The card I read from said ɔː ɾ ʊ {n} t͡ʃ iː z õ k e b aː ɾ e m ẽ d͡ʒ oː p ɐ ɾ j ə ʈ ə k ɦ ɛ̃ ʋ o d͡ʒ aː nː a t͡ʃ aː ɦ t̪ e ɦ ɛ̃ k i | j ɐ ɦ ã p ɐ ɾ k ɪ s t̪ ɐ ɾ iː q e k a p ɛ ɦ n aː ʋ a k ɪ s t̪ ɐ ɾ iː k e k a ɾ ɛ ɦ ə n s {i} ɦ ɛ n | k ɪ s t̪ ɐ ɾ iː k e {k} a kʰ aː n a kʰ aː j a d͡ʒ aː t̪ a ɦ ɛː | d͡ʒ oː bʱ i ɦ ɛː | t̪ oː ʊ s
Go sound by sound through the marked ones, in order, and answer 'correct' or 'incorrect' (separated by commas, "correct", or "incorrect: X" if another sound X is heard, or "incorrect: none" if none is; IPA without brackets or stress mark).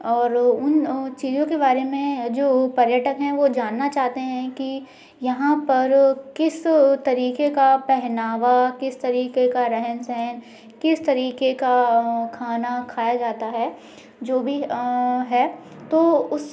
correct, incorrect: ɛ, correct